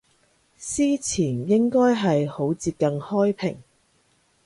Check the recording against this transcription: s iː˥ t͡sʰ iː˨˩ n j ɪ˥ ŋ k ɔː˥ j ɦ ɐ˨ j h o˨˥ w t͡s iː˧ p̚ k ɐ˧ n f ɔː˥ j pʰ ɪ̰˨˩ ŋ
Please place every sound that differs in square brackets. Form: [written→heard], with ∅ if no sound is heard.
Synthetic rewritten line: s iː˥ t͡sʰ iː˨˩ n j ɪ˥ ŋ k ɔː˥ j ɦ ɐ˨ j h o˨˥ w t͡s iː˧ p̚ k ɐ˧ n [f→h] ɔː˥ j pʰ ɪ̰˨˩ ŋ